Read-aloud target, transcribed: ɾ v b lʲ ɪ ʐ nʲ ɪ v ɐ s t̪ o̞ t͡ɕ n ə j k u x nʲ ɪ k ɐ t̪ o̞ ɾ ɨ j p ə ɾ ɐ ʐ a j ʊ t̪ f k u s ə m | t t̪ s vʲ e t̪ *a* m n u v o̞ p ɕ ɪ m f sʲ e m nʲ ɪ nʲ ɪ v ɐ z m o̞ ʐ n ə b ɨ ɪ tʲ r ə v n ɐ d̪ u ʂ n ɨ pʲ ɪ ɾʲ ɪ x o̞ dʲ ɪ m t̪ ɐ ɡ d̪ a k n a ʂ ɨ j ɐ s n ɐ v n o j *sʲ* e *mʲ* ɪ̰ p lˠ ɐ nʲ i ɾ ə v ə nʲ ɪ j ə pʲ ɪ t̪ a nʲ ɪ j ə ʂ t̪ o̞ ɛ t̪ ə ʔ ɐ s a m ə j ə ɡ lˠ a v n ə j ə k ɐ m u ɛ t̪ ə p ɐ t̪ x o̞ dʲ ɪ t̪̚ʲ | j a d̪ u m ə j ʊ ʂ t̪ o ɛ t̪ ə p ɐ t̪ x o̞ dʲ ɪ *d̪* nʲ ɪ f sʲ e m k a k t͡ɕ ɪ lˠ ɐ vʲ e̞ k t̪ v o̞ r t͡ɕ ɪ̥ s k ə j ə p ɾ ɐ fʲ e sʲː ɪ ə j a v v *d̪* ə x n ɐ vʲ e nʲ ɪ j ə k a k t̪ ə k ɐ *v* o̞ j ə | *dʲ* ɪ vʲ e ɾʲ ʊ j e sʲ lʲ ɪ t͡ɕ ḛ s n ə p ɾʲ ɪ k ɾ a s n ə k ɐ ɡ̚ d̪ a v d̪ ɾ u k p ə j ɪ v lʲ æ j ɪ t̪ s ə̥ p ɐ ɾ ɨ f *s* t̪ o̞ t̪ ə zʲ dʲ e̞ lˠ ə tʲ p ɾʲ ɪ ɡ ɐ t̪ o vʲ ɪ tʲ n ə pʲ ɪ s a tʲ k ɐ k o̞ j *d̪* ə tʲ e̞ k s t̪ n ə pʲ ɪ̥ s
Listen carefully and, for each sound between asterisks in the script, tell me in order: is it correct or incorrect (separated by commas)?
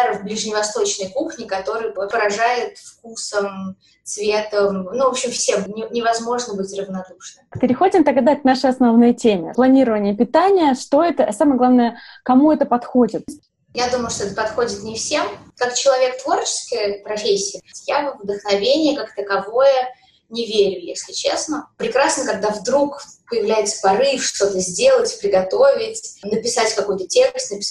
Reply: incorrect, incorrect, correct, incorrect, correct, correct, incorrect, incorrect, incorrect